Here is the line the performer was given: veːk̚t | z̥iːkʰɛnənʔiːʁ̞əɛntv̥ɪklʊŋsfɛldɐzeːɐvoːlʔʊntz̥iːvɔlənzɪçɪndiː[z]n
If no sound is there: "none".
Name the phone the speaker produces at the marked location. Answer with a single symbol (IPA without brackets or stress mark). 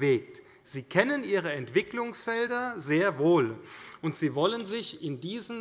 z